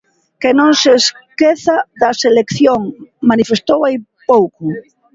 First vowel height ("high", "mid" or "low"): mid